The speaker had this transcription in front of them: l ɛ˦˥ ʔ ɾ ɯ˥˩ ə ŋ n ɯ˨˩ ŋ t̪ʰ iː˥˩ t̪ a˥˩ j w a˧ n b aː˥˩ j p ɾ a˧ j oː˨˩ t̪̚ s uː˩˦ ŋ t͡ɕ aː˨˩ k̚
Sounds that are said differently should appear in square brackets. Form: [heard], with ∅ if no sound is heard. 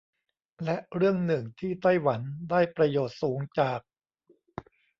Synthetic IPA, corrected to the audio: l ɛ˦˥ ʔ ɾ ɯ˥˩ ə ŋ n ɯ˨˩ ŋ t̪ʰ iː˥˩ t̪ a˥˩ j w [a˩˦] n [d] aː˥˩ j p ɾ a˧ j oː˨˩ t̪̚ s uː˩˦ ŋ t͡ɕ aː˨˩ k̚